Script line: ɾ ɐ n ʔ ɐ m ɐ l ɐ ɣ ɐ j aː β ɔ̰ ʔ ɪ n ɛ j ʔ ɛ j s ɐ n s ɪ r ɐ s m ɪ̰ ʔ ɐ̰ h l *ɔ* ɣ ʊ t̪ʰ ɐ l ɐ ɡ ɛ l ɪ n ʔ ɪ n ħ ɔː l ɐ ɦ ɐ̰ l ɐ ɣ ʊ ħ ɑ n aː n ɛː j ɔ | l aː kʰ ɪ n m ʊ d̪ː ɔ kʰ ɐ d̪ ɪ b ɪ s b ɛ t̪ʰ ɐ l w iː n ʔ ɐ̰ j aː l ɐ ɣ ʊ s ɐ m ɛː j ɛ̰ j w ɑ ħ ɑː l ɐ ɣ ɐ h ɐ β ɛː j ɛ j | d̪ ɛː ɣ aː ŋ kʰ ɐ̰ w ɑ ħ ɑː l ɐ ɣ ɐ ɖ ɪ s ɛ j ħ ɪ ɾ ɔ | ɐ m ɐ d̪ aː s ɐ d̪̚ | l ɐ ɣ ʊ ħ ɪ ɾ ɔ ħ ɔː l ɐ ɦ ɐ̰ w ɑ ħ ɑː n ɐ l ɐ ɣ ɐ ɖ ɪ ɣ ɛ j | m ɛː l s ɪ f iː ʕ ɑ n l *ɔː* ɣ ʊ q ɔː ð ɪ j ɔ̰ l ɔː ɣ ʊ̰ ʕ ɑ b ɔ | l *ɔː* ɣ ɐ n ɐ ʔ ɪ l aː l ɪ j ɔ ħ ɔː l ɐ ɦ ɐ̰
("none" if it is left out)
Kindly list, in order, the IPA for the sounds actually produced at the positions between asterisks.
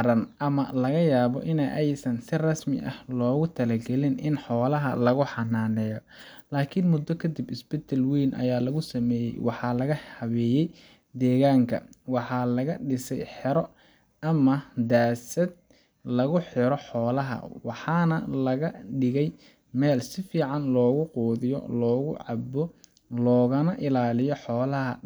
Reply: ɔː, ɔː, ɔː

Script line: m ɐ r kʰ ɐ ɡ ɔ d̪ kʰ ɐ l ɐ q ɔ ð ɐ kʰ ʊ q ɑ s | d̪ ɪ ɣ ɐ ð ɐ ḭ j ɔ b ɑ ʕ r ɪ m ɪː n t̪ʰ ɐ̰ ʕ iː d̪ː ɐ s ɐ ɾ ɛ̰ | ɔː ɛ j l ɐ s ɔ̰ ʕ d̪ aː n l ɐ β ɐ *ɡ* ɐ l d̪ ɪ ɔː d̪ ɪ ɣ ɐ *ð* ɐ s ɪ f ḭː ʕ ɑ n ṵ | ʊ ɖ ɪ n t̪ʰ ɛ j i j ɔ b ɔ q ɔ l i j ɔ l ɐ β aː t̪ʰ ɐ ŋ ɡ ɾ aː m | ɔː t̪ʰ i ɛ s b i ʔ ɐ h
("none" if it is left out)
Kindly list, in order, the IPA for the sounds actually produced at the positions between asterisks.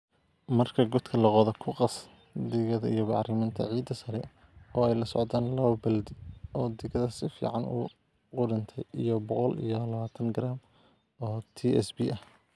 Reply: b, ð

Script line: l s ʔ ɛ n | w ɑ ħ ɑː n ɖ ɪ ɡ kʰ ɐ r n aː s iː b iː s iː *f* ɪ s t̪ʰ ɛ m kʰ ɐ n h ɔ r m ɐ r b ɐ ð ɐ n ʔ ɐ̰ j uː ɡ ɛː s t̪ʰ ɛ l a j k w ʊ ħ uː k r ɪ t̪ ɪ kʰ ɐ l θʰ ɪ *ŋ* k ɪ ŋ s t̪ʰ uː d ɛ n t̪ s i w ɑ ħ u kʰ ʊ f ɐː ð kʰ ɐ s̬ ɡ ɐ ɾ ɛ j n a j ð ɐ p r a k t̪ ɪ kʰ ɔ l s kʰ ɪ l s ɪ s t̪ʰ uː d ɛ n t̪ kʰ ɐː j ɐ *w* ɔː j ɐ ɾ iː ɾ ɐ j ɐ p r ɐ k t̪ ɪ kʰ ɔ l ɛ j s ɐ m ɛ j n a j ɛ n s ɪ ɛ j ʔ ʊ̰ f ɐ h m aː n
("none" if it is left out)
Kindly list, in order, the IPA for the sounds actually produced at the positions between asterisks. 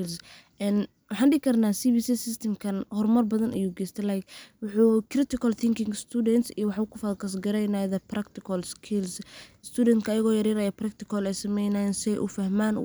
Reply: s, ŋ, ɣ

